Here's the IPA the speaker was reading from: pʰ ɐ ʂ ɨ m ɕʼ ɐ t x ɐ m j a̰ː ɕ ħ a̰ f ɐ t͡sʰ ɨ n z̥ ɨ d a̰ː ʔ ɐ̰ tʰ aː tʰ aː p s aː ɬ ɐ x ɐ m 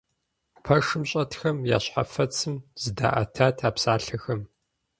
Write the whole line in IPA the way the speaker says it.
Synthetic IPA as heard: pʰ ɐ ʂ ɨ m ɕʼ ɐ t x ɐ m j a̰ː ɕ ħ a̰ f ɐ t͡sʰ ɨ m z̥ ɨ d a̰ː ʔ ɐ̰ tʰ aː tʰ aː p s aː ɬ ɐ x ɐ m